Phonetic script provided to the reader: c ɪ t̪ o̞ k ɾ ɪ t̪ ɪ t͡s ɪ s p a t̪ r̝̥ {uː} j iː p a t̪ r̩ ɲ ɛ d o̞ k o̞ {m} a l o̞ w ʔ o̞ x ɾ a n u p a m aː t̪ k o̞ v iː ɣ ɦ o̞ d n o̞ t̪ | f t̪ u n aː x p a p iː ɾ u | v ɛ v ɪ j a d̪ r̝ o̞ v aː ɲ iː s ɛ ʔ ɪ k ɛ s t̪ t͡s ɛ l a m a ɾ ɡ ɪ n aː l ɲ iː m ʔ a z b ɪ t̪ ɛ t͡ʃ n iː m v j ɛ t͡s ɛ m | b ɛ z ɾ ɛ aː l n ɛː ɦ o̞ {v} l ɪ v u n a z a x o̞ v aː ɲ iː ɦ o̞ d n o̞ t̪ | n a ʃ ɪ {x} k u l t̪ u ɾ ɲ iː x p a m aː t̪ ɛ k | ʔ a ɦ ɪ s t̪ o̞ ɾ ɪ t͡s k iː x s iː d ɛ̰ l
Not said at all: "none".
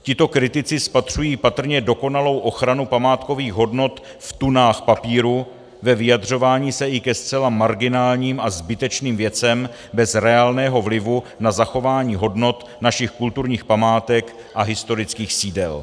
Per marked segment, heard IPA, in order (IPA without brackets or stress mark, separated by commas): u, n, v, x